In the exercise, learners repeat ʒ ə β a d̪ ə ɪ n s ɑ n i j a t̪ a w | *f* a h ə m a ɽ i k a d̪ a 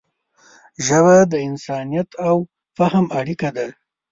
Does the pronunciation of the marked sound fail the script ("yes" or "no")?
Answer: no